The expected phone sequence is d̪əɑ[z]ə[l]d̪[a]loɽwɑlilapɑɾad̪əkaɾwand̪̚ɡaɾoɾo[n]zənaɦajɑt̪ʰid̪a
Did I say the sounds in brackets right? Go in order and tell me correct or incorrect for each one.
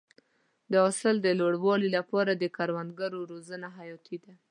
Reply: incorrect, correct, incorrect, incorrect

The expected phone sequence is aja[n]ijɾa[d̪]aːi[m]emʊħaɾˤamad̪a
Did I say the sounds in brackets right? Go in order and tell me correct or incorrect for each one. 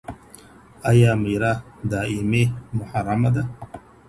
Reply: incorrect, correct, correct

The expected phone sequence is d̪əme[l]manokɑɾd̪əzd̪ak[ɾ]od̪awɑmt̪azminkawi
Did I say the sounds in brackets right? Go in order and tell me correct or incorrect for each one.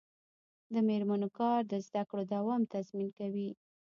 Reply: incorrect, incorrect

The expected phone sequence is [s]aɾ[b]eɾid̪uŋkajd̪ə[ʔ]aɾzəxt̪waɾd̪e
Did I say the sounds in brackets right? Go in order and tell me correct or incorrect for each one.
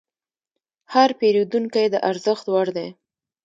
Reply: incorrect, incorrect, correct

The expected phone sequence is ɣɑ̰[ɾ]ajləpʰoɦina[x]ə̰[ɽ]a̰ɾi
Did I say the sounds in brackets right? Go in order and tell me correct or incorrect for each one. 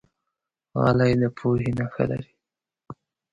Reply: incorrect, correct, incorrect

